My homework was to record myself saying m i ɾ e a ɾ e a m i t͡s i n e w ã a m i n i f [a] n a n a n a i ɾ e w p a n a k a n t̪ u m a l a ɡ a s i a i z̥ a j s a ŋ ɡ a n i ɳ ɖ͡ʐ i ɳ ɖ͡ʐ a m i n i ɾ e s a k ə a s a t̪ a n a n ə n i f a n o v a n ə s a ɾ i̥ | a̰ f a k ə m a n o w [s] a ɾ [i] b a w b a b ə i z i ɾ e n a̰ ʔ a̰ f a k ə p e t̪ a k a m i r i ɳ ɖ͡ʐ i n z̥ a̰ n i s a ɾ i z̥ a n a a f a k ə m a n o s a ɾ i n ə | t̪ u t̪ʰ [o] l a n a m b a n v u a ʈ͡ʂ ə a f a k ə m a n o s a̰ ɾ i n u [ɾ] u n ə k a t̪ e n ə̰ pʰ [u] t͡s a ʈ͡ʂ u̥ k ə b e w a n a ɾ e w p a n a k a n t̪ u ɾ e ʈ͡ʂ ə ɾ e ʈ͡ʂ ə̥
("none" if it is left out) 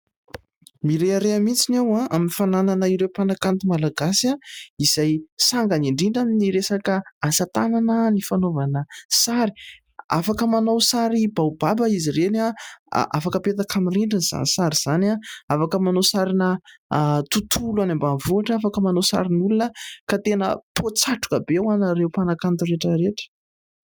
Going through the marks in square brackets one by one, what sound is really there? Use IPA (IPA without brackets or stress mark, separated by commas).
a, s, i, u, l, o